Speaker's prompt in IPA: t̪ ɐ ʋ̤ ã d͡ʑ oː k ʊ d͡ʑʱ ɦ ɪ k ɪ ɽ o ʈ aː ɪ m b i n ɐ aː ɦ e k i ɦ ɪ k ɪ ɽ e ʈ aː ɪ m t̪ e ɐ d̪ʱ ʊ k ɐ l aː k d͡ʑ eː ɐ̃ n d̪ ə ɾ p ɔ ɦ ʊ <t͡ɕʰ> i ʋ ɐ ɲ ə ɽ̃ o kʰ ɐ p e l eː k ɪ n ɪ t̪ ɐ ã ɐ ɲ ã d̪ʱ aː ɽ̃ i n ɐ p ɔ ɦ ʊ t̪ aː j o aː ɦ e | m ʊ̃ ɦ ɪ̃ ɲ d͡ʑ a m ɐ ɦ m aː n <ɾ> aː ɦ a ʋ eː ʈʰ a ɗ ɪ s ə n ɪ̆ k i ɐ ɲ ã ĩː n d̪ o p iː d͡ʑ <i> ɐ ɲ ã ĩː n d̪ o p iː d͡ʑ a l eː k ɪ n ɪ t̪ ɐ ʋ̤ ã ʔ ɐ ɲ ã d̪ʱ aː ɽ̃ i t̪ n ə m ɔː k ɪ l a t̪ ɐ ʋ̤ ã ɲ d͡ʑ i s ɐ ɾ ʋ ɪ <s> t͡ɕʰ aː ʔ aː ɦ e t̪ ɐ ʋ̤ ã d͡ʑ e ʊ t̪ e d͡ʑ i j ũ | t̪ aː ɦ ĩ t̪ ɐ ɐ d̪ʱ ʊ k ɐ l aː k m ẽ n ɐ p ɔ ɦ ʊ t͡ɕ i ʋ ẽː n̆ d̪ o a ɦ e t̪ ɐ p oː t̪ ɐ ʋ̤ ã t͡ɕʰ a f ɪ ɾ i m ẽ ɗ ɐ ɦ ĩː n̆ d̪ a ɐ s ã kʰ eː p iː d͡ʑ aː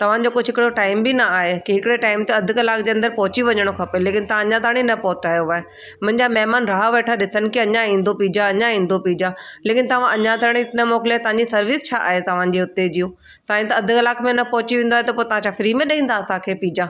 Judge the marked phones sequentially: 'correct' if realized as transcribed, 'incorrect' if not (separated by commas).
incorrect, correct, incorrect, correct